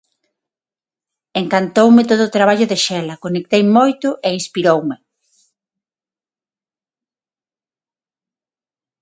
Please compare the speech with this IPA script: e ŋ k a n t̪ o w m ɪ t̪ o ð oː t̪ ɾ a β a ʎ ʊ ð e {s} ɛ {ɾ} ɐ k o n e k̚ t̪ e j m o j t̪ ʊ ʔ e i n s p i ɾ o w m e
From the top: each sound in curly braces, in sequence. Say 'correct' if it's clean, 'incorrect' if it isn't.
incorrect: ʃ, incorrect: l

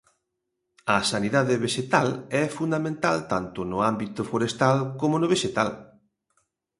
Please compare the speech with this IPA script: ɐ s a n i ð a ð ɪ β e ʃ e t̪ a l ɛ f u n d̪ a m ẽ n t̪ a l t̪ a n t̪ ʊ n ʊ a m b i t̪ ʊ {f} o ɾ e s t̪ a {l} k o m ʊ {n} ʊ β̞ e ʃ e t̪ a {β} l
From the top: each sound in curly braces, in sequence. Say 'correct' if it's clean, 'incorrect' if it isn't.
correct, correct, correct, incorrect: none

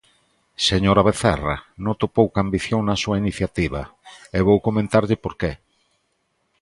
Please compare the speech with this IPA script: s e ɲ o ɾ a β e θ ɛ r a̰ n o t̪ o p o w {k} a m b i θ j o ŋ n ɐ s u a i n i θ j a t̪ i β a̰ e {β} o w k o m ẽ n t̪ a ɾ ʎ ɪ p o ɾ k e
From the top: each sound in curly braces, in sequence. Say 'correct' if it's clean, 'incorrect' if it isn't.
correct, correct

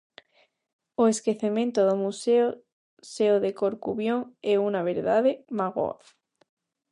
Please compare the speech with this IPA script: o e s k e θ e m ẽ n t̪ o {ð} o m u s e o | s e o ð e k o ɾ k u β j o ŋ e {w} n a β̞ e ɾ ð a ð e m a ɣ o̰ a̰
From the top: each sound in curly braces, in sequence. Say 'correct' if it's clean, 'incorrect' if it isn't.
correct, incorrect: u

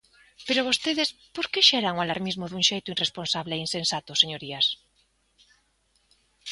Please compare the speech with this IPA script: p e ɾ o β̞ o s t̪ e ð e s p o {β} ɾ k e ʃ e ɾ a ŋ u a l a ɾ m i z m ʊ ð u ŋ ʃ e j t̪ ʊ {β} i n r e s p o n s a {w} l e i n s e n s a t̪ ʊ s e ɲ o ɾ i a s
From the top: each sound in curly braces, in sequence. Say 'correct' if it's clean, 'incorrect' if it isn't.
incorrect: none, incorrect: none, incorrect: β

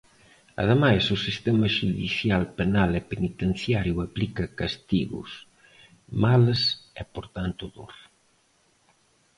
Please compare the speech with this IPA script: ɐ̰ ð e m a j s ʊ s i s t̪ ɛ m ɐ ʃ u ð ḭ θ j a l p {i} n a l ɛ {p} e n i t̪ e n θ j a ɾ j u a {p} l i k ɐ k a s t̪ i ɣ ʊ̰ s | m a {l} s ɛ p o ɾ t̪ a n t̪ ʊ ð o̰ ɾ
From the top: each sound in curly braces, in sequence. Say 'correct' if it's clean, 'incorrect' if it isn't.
incorrect: e, correct, correct, correct

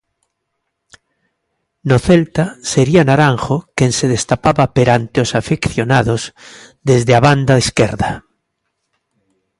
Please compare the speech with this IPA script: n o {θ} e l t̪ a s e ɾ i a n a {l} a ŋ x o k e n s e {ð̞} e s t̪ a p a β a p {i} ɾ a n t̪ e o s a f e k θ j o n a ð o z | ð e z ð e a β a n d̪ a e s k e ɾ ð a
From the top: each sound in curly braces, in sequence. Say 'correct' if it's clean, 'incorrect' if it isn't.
correct, incorrect: ɾ, correct, incorrect: e

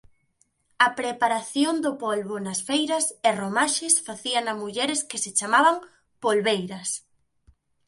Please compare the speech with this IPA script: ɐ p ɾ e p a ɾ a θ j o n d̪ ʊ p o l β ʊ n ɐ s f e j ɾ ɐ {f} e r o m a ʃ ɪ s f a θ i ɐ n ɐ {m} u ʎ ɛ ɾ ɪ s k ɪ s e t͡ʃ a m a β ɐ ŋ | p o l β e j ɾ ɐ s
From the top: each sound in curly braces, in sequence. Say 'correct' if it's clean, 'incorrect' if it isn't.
incorrect: s, correct

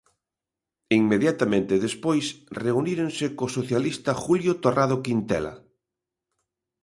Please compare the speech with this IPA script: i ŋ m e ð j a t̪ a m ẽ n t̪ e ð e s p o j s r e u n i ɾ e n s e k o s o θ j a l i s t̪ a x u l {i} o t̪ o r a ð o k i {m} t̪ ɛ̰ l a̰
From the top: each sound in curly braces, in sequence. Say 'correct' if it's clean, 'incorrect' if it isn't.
incorrect: j, incorrect: n

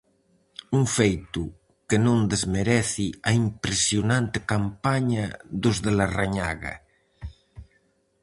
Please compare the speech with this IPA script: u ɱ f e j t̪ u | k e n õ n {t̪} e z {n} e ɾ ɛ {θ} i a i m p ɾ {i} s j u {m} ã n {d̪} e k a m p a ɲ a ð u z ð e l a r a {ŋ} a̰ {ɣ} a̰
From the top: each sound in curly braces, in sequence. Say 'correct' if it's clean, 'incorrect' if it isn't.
incorrect: d̪, incorrect: m, correct, incorrect: e, incorrect: n, incorrect: t̪, incorrect: ɲ, correct

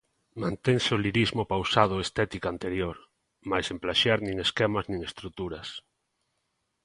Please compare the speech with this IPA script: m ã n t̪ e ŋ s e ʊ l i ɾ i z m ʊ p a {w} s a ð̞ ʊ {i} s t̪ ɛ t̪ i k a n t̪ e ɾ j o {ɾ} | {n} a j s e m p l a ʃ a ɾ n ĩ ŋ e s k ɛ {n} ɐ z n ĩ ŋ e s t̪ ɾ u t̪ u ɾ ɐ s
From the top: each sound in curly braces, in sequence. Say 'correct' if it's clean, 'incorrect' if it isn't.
correct, incorrect: e, correct, incorrect: m, incorrect: m

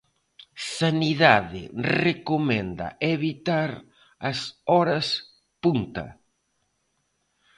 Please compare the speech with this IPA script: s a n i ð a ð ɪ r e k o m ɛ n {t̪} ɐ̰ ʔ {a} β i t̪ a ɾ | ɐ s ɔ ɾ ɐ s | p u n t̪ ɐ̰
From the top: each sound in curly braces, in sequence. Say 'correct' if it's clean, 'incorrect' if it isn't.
incorrect: d̪, incorrect: e

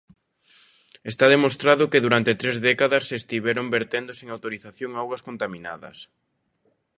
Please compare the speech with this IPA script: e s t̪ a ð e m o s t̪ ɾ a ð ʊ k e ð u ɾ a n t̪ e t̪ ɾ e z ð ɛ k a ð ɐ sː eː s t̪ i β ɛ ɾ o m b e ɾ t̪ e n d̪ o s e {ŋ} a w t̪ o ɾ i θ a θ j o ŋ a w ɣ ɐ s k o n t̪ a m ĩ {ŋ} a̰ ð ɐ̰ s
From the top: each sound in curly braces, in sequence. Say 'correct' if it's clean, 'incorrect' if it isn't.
correct, incorrect: n

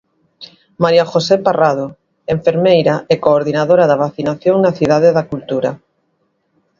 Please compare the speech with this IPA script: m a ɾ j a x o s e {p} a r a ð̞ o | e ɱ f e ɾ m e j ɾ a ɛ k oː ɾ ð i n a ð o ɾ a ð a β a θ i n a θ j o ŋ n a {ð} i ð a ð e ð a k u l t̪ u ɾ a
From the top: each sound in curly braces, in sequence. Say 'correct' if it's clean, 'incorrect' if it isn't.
correct, incorrect: θ

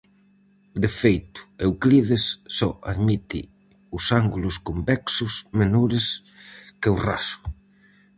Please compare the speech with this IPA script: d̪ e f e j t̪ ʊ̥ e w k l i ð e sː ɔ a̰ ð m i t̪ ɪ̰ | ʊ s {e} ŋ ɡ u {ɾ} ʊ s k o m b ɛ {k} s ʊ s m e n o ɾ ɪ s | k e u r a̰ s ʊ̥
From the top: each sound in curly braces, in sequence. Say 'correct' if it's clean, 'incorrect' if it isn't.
incorrect: a, incorrect: l, correct

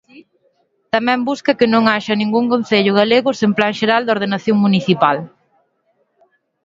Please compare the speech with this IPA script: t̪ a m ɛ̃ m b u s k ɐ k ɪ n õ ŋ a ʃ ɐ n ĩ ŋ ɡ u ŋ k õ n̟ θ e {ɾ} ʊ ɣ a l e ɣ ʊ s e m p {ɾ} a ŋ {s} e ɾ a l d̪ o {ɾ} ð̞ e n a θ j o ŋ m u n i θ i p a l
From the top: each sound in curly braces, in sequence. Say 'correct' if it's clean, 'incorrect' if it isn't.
incorrect: ʎ, incorrect: l, incorrect: ʃ, correct

